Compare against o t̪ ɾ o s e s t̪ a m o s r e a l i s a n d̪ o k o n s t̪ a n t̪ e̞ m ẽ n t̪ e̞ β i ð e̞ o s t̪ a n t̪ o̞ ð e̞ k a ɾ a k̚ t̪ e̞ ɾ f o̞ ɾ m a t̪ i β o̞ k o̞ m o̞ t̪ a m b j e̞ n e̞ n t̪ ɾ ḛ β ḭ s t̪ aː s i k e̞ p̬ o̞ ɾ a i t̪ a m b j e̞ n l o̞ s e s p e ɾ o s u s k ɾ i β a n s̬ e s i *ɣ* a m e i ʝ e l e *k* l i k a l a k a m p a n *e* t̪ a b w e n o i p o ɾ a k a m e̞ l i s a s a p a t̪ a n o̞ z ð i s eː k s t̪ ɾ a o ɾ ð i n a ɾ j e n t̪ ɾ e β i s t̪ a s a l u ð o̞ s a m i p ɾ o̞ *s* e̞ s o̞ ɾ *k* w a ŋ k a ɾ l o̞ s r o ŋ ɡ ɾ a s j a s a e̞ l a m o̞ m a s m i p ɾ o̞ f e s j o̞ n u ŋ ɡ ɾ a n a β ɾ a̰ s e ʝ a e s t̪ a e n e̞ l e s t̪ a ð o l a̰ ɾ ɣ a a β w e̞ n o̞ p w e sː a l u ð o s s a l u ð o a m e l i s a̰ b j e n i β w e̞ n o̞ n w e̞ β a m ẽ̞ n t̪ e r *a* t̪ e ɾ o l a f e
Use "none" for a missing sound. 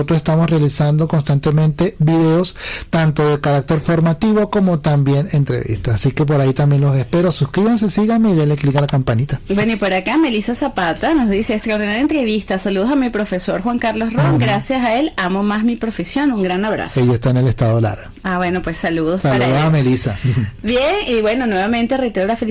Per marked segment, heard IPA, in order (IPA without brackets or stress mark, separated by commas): ɣ, k, i, f, x, e